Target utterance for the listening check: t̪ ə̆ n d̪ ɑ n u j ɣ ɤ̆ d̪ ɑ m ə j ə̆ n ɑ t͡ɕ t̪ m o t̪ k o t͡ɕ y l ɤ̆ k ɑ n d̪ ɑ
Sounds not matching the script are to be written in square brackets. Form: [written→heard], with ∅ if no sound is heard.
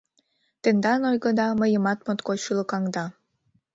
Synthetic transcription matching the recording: t̪ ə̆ n d̪ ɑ n [u→o] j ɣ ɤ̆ d̪ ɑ m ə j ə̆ [n→m] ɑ [t͡ɕ→∅] t̪ m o t̪ k o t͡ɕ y l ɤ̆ k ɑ [n→ŋ] d̪ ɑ